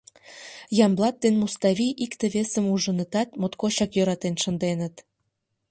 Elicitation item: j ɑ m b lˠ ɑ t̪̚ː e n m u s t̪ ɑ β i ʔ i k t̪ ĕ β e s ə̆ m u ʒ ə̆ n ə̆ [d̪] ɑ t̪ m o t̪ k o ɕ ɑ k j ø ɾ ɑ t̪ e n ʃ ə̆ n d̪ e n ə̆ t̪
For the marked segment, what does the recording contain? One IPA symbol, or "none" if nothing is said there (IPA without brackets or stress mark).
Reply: t̪